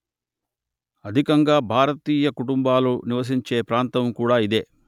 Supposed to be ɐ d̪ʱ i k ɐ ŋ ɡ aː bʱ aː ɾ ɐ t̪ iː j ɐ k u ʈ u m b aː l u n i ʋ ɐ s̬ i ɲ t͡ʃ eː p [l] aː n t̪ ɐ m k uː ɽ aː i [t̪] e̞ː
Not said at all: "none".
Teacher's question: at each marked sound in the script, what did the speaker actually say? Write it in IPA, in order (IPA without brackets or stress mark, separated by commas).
ɾ, d̪